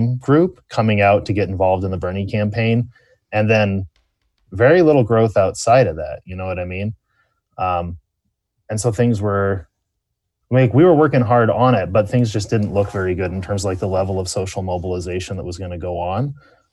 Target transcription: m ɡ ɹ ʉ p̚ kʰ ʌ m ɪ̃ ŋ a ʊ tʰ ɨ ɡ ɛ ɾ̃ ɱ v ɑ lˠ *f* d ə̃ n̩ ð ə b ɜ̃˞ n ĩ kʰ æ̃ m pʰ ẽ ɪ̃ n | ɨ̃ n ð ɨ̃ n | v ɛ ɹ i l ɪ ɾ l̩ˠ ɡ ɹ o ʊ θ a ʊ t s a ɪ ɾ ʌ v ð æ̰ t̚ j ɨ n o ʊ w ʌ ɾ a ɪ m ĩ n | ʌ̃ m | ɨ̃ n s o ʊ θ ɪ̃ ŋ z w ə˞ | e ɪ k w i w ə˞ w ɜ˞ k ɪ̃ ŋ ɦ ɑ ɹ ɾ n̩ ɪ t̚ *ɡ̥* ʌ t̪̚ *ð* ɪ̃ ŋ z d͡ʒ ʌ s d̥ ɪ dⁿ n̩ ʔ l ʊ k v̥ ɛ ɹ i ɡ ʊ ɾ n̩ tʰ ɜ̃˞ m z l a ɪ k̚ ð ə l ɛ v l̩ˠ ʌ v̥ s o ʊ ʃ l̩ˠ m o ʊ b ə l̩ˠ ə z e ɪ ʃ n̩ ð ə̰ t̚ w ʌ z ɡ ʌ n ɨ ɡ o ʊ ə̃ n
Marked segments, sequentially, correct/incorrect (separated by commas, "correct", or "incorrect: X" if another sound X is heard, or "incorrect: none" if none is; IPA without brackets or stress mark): incorrect: v, incorrect: b̥, incorrect: θ